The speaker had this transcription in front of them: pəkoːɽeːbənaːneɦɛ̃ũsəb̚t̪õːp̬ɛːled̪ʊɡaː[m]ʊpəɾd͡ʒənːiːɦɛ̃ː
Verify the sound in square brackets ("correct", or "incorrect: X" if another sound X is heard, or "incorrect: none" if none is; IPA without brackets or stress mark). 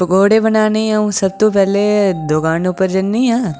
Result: incorrect: n